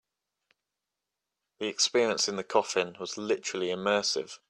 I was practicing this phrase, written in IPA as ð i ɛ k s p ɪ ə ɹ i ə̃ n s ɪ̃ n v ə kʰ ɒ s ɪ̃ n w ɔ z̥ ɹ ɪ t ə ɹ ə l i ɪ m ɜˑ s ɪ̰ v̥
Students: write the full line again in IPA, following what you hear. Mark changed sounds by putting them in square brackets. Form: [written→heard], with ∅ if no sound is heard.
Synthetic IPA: ð i ɛ k s p ɪ ə ɹ i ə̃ n s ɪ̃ n [v→ð] ə kʰ ɒ [s→f] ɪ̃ n w [ɔ→ɒ] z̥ [ɹ→l] ɪ t ə ɹ ə l i ɪ m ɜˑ s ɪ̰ v̥